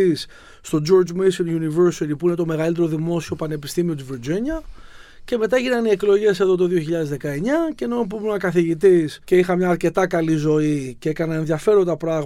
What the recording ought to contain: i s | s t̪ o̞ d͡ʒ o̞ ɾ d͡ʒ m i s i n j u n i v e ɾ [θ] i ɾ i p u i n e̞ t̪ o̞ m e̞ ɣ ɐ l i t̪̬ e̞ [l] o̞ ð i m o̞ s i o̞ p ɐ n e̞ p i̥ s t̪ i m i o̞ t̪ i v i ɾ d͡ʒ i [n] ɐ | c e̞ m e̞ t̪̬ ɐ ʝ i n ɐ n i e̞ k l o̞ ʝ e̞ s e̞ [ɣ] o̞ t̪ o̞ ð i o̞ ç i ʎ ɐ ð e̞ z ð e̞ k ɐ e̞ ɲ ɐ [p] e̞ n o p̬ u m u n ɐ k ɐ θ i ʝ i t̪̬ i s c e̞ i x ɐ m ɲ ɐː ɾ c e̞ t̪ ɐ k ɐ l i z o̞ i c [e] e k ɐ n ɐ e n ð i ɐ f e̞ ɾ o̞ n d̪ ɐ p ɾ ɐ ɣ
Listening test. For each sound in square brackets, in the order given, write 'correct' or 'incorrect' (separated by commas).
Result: incorrect, incorrect, incorrect, incorrect, incorrect, correct